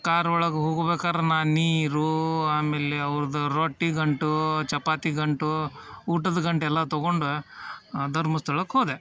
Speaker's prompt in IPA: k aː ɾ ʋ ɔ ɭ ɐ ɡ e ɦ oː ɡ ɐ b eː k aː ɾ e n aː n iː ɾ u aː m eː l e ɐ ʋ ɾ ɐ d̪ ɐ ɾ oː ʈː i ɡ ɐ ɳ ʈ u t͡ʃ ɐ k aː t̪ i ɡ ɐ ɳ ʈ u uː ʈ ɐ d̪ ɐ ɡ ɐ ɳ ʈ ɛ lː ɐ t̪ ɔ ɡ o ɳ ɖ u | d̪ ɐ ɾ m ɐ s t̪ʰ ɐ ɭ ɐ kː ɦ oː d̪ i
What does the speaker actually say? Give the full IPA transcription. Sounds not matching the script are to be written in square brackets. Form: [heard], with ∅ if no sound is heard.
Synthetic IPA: k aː ɾ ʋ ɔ ɭ ɐ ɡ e ɦ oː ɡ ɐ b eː k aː ɾ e n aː n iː ɾ u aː m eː l e ɐ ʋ ɾ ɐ d̪ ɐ ɾ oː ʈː i ɡ ɐ ɳ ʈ u t͡ʃ ɐ [p] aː t̪ i ɡ ɐ ɳ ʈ u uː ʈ ɐ d̪ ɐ ɡ ɐ ɳ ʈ ɛ lː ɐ t̪ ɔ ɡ o ɳ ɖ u | d̪ ɐ ɾ m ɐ s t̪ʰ ɐ ɭ ɐ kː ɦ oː d̪ [e]